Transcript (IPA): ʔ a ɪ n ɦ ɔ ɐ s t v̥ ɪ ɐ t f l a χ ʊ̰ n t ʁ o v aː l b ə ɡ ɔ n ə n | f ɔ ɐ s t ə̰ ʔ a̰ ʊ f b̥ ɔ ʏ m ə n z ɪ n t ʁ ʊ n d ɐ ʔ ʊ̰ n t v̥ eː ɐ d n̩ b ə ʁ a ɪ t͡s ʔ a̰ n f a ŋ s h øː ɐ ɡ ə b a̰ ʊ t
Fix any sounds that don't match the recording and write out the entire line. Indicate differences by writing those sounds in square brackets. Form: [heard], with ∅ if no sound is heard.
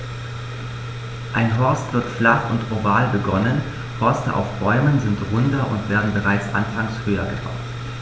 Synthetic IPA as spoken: ʔ a ɪ n ɦ ɔ ɐ s t v̥ ɪ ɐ t f l a χ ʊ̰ n t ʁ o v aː l b ə ɡ ɔ n ə n | [h] ɔ ɐ s t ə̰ ʔ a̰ ʊ f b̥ ɔ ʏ m ə n z ɪ n t ʁ ʊ n d ɐ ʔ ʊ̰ n t v̥ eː ɐ d n̩ b ə ʁ a ɪ t͡s ʔ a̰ n f a ŋ s h øː ɐ ɡ ə b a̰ ʊ t